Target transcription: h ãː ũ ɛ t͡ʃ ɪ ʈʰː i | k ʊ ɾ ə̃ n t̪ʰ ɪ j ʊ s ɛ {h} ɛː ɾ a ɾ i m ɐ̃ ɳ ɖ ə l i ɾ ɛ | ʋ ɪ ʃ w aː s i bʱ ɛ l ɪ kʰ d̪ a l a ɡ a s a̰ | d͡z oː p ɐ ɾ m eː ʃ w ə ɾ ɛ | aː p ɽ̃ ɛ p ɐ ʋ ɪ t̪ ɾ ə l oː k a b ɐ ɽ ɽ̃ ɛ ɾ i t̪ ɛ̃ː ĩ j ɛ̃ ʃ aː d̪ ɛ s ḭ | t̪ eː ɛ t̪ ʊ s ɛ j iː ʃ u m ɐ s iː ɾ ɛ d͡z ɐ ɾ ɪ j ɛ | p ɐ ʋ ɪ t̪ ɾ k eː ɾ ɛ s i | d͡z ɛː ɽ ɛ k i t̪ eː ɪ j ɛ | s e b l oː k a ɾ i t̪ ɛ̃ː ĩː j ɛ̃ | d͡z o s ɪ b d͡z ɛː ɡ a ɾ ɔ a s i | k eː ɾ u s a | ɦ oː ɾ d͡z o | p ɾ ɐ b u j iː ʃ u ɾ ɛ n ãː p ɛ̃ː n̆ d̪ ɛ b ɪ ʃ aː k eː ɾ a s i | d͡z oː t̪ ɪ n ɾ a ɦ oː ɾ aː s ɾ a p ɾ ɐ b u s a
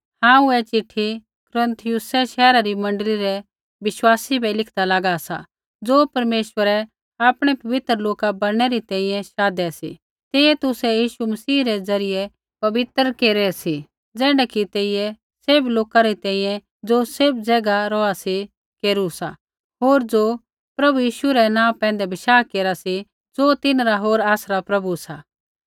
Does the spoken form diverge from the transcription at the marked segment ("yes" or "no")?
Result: yes